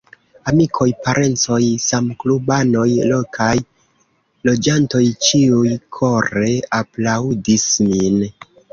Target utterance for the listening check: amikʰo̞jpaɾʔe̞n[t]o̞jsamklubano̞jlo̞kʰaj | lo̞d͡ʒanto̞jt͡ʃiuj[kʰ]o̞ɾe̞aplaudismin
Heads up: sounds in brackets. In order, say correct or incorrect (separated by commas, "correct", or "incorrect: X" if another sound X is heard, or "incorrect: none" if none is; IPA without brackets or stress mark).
incorrect: t͡s, correct